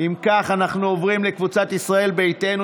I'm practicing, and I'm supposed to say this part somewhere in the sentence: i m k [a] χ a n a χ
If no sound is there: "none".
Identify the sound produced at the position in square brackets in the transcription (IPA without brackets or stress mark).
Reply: a